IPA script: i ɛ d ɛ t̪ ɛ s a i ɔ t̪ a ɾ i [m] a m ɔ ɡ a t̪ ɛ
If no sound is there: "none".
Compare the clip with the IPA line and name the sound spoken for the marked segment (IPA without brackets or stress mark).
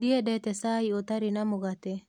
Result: n